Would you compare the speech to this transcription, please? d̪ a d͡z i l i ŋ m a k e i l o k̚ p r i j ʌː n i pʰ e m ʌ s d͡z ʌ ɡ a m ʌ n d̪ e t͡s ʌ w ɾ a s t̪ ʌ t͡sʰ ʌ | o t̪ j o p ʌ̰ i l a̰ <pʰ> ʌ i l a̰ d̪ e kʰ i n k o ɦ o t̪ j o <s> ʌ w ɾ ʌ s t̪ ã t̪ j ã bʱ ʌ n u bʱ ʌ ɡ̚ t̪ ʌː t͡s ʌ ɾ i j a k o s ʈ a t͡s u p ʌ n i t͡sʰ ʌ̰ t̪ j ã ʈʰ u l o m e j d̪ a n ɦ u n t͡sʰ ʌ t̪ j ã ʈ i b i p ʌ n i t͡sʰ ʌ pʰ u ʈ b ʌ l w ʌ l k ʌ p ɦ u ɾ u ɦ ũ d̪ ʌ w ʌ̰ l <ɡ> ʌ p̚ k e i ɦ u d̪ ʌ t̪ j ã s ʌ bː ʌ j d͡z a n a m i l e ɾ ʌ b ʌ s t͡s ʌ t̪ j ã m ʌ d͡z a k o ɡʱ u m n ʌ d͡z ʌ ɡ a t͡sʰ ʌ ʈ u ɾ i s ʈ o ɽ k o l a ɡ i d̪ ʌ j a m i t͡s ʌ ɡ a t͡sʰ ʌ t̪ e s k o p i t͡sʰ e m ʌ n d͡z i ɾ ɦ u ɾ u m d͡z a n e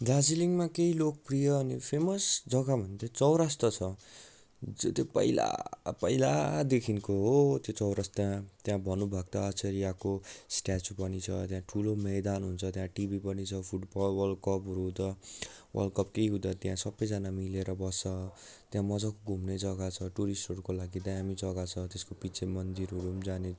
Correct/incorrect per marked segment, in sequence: incorrect: p, incorrect: t͡s, incorrect: k

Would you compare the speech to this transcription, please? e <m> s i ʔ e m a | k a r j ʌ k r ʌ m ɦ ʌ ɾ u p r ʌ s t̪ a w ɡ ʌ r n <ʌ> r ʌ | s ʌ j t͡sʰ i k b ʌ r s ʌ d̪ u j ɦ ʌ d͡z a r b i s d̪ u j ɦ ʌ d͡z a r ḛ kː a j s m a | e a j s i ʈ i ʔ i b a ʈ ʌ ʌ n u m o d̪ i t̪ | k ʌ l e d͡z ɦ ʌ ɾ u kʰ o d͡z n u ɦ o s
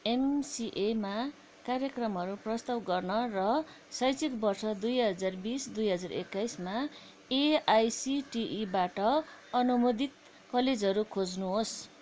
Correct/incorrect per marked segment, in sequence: correct, correct

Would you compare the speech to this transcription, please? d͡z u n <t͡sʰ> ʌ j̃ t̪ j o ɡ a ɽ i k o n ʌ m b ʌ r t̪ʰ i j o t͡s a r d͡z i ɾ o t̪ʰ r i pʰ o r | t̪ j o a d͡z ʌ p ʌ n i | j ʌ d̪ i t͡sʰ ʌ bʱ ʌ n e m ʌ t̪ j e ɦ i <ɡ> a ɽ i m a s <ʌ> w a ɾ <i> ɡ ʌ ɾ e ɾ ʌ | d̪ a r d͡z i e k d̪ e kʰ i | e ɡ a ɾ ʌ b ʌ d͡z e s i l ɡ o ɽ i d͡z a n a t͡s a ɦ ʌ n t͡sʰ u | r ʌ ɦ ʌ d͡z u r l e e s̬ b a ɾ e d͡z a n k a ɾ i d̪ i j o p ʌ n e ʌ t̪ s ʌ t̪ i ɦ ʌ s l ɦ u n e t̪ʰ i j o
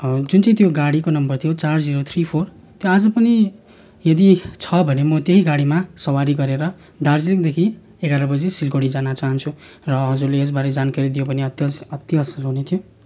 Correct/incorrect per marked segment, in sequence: incorrect: t͡s, correct, correct, correct

